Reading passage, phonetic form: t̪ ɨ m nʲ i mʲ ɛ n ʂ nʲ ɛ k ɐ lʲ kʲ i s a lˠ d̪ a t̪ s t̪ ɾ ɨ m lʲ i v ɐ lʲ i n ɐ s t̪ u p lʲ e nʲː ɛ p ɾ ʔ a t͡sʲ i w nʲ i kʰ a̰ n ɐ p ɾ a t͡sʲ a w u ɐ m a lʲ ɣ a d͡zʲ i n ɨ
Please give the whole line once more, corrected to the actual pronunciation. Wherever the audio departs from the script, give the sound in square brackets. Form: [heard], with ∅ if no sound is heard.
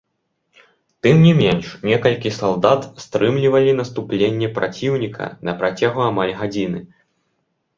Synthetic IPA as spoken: t̪ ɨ m nʲ i mʲ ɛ n ʂ nʲ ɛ k ɐ lʲ kʲ i s a lˠ d̪ a t̪ s t̪ ɾ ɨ m lʲ i v ɐ lʲ i n ɐ s t̪ u p lʲ e nʲː ɛ p ɾ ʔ a t͡sʲ i w nʲ i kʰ [ɐ̰] n ɐ p ɾ a t͡sʲ a [ɣ] u [a] m a lʲ ɣ a d͡zʲ i n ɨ